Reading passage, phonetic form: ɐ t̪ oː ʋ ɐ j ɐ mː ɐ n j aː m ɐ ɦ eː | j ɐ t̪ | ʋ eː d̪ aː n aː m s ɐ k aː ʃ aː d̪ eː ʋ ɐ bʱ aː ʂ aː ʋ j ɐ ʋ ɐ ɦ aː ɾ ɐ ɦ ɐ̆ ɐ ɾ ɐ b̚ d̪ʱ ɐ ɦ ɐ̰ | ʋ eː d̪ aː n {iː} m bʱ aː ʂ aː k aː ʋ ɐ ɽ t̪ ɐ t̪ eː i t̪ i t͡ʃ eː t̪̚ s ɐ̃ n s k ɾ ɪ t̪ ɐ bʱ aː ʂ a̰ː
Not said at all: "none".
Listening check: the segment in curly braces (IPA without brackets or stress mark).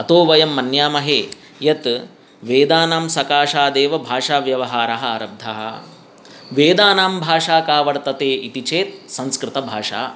aː